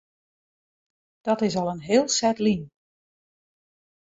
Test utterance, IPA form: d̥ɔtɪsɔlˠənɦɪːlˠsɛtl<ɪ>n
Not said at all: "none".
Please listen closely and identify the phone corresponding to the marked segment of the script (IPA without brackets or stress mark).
i